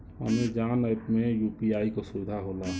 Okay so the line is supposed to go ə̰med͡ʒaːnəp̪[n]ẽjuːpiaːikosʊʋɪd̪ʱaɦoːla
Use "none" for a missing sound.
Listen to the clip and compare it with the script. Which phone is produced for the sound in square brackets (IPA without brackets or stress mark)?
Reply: m